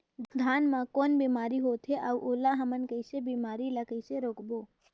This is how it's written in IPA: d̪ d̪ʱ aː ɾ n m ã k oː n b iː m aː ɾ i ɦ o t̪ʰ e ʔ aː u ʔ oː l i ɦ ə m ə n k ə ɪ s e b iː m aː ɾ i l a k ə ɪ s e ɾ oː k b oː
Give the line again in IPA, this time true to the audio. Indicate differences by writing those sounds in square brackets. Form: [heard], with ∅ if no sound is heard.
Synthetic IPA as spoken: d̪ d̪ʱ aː [∅] n m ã k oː n b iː m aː ɾ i ɦ o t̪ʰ e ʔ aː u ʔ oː l [a] ɦ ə m ə n k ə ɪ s e b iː m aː ɾ i l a k ə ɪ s e ɾ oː k b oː